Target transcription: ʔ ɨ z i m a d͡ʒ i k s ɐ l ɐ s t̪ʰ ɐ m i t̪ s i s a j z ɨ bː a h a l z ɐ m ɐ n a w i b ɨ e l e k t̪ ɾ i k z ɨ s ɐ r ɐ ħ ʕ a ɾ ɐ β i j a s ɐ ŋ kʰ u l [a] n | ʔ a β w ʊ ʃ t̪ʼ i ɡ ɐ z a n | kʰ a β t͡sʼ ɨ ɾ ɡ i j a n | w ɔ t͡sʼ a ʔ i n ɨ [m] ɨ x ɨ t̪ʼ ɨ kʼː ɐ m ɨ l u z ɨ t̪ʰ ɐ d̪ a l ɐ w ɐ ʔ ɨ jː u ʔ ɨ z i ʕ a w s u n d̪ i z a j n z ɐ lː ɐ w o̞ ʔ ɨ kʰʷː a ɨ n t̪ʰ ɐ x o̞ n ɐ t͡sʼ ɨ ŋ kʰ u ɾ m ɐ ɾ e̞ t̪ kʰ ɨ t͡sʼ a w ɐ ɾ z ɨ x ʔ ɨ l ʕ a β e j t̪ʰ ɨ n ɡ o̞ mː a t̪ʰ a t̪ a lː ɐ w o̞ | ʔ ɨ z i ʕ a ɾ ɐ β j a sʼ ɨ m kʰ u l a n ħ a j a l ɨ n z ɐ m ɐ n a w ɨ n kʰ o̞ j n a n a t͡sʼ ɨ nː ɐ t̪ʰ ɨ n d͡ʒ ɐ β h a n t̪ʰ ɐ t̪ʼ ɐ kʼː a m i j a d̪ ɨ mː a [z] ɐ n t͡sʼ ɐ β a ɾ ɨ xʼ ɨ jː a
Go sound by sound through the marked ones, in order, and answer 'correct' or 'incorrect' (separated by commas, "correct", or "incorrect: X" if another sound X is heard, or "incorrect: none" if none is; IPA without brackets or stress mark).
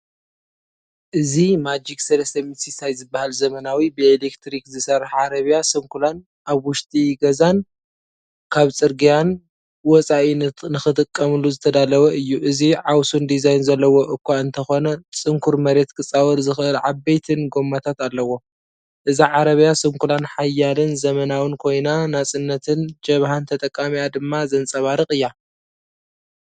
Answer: correct, incorrect: n, correct